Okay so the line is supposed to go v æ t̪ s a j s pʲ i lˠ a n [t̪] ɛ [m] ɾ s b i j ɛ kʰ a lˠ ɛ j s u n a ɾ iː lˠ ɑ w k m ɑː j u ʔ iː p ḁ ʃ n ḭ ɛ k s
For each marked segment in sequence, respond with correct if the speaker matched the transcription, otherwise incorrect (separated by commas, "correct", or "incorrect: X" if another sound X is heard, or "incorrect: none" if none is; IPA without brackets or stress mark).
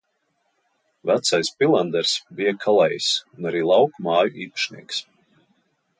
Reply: incorrect: d̪, incorrect: none